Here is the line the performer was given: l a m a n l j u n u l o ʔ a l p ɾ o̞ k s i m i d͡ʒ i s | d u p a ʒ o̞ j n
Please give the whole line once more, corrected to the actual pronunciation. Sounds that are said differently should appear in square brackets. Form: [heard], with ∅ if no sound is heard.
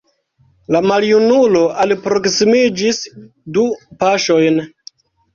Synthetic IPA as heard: l a m a [∅] l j u n u l o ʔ a l p ɾ o̞ k s i m i d͡ʒ i s | d u p a [ʃ] o̞ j n